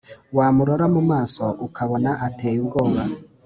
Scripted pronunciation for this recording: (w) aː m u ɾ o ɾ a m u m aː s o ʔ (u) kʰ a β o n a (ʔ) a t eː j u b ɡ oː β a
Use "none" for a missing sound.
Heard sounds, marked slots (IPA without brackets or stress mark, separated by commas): w, u, ʔ